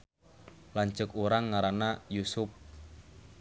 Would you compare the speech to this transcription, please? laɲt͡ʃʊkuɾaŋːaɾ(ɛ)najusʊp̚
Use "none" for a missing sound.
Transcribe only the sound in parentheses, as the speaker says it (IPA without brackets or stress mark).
a